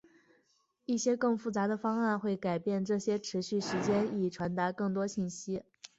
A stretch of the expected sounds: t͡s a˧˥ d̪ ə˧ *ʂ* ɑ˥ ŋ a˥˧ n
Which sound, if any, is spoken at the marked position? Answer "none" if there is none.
f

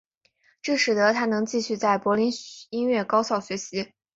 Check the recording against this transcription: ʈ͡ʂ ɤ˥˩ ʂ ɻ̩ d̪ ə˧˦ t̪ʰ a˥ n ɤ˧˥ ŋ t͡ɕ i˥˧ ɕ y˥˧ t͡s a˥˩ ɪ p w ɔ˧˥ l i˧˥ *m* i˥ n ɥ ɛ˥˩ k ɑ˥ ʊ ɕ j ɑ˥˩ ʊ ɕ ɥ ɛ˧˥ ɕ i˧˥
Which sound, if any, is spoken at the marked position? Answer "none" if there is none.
n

